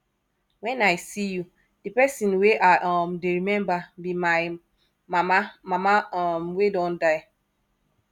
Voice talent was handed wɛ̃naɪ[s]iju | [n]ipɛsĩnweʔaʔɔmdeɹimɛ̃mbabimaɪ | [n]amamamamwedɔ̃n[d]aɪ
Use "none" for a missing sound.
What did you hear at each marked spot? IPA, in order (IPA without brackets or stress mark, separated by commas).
s, d, m, d